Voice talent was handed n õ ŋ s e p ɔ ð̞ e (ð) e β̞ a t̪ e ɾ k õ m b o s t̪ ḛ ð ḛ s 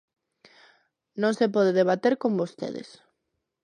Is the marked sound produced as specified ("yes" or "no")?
yes